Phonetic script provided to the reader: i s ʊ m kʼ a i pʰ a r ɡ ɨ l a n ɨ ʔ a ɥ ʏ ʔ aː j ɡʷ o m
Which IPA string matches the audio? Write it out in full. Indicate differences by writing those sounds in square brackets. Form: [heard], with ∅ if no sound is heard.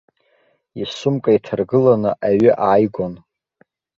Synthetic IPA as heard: i s ʊ m kʼ a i [tʰ] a r ɡ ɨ l a n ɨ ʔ a ɥ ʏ ʔ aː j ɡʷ o [n]